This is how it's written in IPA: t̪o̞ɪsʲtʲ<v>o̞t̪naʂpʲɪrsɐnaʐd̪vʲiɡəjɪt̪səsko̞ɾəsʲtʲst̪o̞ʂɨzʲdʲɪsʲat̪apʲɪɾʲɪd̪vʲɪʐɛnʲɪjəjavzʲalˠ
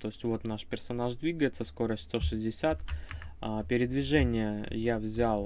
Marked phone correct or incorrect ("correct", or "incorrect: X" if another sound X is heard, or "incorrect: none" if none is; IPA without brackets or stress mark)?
correct